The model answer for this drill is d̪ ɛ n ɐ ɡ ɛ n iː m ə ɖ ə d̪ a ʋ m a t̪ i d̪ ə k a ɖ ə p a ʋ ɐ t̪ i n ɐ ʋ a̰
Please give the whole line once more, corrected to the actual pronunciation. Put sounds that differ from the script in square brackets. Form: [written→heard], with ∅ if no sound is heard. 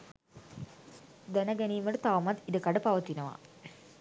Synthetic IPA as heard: d̪ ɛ n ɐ ɡ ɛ n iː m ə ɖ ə [d̪→t̪] a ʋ m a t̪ i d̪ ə k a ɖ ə p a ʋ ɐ t̪ i n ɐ ʋ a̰

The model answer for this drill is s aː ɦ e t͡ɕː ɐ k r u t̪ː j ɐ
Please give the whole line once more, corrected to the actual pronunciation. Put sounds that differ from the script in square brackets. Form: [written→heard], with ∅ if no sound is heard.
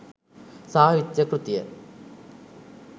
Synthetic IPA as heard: s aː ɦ [e→i] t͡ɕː ɐ k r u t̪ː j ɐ

